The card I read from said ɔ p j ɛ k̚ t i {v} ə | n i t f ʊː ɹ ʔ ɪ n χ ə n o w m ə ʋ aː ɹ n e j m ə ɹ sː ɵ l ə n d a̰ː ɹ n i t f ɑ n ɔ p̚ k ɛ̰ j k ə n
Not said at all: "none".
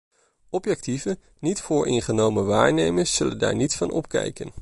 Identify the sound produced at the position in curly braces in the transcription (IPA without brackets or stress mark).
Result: v